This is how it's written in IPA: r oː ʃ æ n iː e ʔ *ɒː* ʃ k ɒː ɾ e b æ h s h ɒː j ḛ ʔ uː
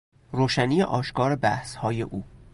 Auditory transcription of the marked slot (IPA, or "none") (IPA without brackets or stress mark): ɒː